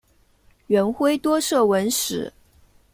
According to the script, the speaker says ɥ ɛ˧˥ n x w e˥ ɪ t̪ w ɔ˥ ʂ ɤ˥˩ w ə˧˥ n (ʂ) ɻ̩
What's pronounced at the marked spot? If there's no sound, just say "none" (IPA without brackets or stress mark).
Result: ʂ